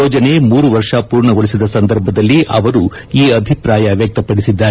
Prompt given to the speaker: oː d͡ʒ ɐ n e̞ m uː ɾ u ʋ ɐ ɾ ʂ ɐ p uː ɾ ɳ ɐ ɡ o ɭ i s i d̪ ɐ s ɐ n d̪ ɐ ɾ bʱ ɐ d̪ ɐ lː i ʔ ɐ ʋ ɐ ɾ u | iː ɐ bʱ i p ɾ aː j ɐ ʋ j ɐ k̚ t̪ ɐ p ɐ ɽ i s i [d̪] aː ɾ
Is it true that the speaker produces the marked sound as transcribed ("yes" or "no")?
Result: no